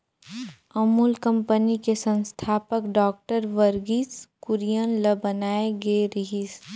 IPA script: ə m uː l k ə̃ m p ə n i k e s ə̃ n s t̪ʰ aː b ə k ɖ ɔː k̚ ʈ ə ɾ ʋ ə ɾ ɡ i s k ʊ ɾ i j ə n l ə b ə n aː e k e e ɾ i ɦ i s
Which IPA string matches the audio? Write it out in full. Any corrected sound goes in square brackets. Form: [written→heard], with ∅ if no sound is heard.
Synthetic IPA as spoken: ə m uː l k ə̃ m p ə n i k e s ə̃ n s t̪ʰ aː [b→p] ə k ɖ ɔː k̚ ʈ ə ɾ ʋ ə ɾ ɡ i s k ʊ ɾ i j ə n l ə b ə n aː e [k→ɡ] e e ɾ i ɦ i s